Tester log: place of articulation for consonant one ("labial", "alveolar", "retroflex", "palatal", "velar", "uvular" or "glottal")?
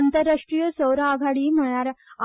alveolar